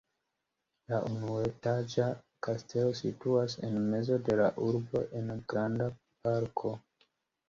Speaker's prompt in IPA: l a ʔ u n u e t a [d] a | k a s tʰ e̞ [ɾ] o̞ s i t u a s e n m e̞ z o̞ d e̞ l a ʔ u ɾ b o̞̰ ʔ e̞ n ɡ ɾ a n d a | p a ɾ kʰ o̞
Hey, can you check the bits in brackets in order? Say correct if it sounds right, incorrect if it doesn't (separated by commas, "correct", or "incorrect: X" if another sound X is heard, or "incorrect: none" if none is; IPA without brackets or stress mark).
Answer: incorrect: d͡ʒ, incorrect: l